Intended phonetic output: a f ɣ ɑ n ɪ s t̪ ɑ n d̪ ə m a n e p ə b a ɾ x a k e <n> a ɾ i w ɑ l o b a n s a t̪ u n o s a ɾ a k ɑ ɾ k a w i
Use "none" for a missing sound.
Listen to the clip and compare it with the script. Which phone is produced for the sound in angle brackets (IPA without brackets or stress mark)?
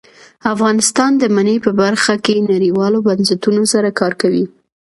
n